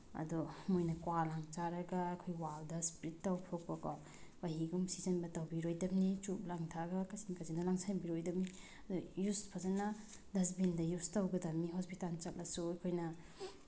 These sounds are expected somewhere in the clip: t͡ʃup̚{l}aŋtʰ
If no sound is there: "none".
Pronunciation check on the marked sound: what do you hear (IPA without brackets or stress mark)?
l